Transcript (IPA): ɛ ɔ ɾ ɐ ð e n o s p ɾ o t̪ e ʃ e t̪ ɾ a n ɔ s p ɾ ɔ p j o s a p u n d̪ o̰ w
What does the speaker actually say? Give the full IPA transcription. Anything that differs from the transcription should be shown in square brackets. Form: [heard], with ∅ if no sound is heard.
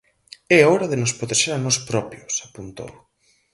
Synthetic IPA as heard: ɛ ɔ ɾ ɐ ð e n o s p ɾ o t̪ e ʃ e [∅] ɾ a n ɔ s p ɾ ɔ p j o s a p u n [t̪] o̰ w

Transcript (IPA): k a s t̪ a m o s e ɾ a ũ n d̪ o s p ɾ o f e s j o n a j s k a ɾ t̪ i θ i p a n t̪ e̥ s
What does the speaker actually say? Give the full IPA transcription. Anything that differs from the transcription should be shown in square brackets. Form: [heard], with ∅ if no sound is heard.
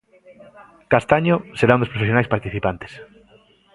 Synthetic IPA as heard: k a s t̪ a [ɲ] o s e ɾ a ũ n d̪ o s p ɾ o f e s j o n a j s [p] a ɾ t̪ i θ i p a n t̪ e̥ s

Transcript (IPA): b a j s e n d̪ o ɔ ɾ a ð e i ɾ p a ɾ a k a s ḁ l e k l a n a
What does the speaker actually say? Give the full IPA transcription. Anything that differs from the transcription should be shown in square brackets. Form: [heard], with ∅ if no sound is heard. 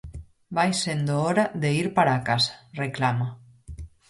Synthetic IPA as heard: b a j s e n d̪ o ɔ ɾ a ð e i ɾ p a ɾ a k a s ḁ [r] e k l a [m] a

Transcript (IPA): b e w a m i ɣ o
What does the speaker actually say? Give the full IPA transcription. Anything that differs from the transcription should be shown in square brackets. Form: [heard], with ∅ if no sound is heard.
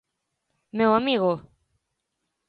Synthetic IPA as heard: [m] e w a m i ɣ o

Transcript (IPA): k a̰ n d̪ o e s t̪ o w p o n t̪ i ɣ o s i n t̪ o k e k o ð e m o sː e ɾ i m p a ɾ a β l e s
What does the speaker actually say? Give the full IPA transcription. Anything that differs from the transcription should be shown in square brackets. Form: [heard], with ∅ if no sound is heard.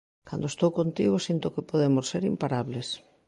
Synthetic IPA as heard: k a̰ n d̪ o e s t̪ o w [k] o n t̪ i ɣ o s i n t̪ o k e [p] o ð e m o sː e ɾ i m p a ɾ a β l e s

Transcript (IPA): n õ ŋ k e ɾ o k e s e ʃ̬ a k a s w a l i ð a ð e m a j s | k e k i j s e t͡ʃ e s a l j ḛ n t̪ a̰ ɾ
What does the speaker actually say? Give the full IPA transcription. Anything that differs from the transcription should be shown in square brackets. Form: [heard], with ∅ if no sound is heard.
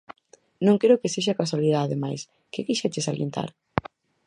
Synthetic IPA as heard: n õ ŋ k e ɾ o k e s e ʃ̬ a k a s w a l i ð a ð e m a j s | k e k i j [ʃ] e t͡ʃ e s a l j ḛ n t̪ a̰ ɾ

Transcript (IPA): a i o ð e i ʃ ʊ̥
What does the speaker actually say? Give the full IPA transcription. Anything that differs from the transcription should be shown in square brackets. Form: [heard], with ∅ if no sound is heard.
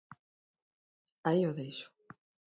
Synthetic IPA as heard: a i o ð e [j] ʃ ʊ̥

